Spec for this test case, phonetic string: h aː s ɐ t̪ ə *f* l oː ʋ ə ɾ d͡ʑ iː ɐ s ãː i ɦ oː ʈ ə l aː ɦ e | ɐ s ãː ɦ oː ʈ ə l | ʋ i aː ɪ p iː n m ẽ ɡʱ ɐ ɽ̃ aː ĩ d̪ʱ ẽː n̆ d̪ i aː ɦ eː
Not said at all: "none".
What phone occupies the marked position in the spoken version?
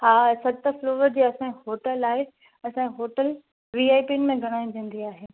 f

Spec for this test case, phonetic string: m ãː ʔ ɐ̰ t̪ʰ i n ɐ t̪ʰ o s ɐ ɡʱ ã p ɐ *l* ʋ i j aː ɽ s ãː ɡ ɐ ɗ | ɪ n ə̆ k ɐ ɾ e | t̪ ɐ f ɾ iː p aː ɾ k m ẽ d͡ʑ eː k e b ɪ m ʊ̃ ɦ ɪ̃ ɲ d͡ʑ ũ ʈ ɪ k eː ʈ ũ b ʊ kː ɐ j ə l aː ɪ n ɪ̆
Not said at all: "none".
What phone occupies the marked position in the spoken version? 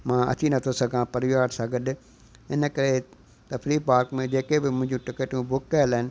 ɾ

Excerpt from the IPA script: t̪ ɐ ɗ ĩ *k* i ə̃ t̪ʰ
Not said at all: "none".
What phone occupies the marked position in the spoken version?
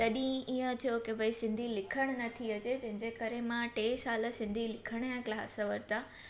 none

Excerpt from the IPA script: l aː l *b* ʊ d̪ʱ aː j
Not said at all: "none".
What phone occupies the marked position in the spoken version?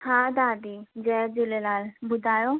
b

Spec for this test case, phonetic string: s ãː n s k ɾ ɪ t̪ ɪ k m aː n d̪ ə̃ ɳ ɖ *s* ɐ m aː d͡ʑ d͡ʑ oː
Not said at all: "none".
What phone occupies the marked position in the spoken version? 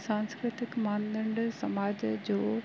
s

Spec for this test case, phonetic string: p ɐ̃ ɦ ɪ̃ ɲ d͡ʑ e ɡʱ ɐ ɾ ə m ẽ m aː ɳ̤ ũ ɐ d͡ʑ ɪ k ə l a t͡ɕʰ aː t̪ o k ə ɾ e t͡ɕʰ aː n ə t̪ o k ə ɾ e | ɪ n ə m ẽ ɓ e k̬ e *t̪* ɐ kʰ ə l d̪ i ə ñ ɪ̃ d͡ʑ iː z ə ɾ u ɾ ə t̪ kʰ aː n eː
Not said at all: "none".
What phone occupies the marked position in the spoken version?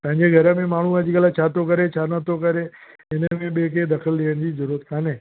d̪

